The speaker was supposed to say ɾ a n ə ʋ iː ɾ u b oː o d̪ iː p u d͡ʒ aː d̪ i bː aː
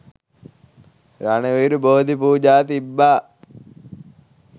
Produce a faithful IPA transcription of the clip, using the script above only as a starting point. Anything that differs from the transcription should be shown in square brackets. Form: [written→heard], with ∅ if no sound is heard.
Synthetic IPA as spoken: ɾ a n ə ʋ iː ɾ u b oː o d̪ [iː→i] p [u→uː] d͡ʒ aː [d̪→t̪] i bː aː